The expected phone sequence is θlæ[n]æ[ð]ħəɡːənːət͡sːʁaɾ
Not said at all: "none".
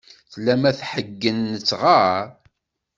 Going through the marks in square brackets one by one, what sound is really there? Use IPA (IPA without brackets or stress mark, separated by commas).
m, θ